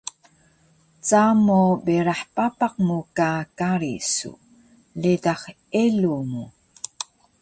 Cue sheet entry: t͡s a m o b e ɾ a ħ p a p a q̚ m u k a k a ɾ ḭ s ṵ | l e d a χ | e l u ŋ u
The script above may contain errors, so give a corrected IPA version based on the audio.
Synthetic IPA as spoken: t͡s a m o b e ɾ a ħ p a p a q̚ m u k a k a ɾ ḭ s ṵ | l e d a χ | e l u m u

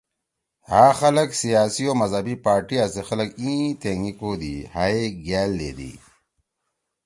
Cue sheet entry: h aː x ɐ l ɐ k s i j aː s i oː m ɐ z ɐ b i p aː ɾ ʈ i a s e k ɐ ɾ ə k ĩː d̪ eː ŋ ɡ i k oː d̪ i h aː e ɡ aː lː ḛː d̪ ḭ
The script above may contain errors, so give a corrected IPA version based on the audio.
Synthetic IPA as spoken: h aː x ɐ l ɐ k s i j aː s i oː m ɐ z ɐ b i p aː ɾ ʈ i a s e x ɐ l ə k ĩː t̪ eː ŋ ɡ i k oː d̪ i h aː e ɡ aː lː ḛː d̪ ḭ

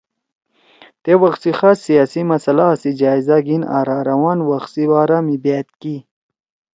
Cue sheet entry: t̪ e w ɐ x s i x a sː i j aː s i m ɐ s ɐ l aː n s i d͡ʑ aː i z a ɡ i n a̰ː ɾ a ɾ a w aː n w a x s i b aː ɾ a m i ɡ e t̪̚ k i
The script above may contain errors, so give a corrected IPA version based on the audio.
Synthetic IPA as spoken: t̪ e w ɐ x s i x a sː i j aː s i m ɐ s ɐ l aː s i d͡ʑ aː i z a ɡ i n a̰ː ɾ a ɾ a w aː n w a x s i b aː ɾ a m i b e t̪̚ k i

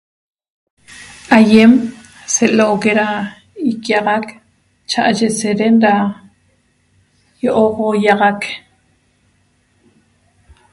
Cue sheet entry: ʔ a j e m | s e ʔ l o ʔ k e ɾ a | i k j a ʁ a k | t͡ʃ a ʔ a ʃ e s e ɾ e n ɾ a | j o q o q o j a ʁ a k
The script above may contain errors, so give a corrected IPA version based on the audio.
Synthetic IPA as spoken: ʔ a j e m | s e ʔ l o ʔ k e ɾ a | i k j a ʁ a k | t͡ʃ a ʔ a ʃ e s e ɾ e n ɾ a | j o ʔ o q o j a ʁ a k

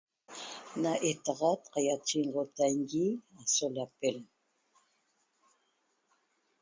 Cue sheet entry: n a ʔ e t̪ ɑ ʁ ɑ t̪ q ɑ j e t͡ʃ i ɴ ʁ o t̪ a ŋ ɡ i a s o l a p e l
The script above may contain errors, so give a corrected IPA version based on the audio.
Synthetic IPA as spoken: n a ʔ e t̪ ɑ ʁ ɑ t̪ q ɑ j a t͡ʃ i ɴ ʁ o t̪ a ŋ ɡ i a s o l a p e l

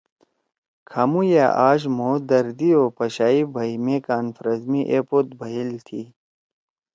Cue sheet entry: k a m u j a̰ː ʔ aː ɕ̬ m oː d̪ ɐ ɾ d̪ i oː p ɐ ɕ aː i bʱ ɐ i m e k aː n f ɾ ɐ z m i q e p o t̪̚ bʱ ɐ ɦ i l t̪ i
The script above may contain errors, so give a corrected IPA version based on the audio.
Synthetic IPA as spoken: kʰ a m u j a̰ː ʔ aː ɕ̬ m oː d̪ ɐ ɾ d̪ i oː p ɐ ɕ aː i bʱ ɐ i m e k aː n f ɾ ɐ z m i ʔ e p o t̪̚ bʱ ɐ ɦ i l t̪ʰ i

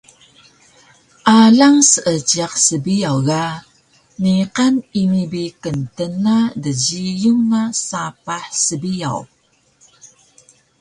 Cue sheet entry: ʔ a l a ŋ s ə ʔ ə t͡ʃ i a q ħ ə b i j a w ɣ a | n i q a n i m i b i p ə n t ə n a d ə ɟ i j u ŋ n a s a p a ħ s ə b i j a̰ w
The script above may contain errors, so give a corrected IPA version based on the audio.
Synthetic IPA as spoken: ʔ a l a ŋ s ə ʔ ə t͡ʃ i a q s ə b i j a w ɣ a | n i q a n i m i b i k ə n t ə n a d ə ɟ i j u ŋ n a s a p a ħ s ə b i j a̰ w

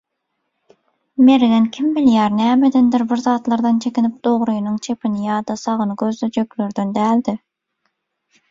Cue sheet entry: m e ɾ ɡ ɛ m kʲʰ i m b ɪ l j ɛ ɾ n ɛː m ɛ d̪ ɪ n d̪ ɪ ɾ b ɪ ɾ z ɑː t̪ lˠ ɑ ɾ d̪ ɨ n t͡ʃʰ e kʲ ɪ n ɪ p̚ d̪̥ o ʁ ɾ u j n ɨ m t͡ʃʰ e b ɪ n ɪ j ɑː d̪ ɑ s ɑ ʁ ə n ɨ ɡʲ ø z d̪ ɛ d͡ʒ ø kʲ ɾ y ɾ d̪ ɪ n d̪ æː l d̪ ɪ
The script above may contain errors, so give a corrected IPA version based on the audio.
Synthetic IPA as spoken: m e ɾ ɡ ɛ n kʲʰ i m b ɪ l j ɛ ɾ n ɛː m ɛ d̪ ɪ n d̪ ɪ ɾ b ɪ ɾ z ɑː t̪ lˠ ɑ ɾ d̪ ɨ n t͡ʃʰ e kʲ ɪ n ɪ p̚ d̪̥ o ʁ ɾ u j n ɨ ŋ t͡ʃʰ e p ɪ n ɪ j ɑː d̪ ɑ s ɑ ʁ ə n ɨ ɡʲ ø z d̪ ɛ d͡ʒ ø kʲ l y ɾ d̪ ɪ n d̪ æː l d̪ ɪ

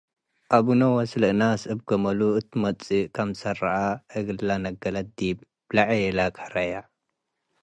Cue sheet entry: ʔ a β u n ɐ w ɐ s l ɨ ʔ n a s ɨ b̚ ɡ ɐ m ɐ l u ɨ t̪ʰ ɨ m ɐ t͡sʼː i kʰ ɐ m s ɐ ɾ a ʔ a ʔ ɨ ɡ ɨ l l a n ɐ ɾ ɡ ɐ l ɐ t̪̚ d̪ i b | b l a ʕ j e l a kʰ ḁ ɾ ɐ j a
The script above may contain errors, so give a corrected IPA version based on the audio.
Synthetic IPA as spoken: ʔ a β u n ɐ w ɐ s l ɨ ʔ n a s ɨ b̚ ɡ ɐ m ɐ l u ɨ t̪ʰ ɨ m ɐ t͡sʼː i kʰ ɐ m s ɐ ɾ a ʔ a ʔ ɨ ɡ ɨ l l a n ɐ ɡ ɐ l ɐ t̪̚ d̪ i b | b l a ʕ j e l a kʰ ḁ ɾ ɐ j a

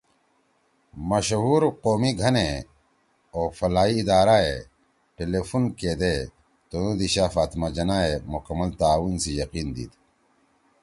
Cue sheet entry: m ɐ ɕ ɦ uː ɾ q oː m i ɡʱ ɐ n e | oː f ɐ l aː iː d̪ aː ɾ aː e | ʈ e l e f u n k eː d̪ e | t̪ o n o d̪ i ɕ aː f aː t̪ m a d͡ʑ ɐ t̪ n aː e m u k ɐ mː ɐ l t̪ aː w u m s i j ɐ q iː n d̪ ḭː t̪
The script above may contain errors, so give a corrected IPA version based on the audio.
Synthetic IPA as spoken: m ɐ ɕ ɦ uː ɾ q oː m i ɡʱ ɐ n e | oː f ɐ l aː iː d̪ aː ɾ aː e | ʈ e l e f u n k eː d̪ e | t̪ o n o d̪ i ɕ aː f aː t̪ m a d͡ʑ ɐ n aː e m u k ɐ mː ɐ l t̪ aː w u n s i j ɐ q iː n d̪ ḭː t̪

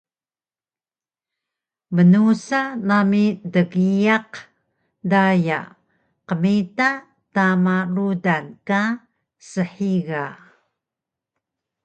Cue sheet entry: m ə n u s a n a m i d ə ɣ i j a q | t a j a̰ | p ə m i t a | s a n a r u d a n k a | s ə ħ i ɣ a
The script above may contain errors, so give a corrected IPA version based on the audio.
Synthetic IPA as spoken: m ə n u s a n a m i d ə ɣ i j a q | d a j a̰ | q ə m i t a | t a m a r u d a n k a | s ə ħ i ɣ a

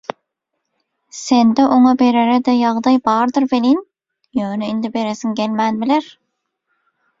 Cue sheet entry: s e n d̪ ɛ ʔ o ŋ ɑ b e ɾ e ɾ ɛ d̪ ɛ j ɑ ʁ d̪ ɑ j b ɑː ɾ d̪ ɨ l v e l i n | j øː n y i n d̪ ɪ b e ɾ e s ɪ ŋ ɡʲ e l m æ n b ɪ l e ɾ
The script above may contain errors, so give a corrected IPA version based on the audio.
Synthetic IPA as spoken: s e n d̪ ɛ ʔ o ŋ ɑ b e ɾ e ɾ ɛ d̪ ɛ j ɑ ʁ d̪ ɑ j b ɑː ɾ d̪ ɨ ɾ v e l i n | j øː n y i n d̪ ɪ b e ɾ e s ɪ ŋ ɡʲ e l m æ n b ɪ l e ɾ

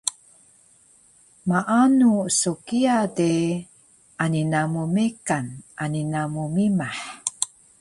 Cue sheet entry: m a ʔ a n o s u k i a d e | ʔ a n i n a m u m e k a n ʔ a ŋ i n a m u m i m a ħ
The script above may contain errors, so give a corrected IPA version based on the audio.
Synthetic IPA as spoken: m a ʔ a n u s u k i a d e | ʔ a n i n a m u m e k a n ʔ a n i n a m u m i m a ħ

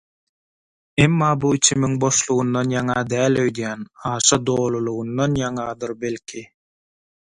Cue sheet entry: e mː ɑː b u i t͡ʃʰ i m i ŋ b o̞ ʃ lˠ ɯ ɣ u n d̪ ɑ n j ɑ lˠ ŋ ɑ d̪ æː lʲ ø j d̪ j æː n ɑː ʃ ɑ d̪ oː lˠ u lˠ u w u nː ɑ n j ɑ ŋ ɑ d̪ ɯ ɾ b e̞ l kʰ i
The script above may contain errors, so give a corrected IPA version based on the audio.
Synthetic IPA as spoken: e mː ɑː b u i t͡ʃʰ i m i ŋ b o̞ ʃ lˠ u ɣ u n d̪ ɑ n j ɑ ŋ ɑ d̪ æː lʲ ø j d̪ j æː n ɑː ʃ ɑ d̪ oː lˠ u lˠ u ɣ u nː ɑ n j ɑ ŋ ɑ d̪ ɯ ɾ b e̞ l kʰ i

